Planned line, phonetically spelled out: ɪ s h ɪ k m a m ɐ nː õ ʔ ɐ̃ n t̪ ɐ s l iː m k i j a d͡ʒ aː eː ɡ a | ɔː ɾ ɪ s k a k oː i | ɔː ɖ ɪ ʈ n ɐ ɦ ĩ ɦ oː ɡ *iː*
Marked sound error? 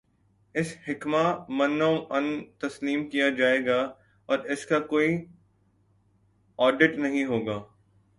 yes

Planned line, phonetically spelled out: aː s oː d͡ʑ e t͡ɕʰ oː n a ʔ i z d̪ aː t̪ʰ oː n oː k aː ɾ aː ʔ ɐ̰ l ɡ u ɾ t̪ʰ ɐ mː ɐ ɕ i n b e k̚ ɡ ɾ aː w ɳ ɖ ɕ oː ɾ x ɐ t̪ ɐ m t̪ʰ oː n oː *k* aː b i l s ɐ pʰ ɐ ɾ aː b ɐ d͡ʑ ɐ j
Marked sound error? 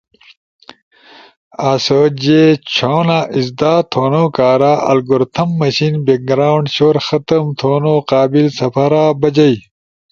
yes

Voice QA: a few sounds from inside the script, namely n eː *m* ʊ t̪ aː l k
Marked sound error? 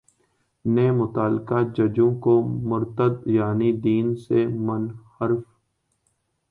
no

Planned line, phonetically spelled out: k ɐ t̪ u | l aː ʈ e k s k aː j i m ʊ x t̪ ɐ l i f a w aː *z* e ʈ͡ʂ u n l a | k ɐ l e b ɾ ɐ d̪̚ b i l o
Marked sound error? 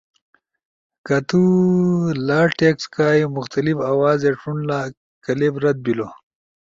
no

